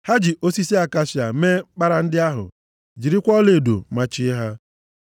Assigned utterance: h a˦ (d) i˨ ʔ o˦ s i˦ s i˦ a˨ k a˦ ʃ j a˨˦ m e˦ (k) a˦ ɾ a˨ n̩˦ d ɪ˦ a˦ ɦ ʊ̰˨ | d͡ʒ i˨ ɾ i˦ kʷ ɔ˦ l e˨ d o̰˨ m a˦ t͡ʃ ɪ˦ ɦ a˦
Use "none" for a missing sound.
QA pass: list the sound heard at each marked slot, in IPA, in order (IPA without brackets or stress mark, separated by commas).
d͡ʒ, k͡p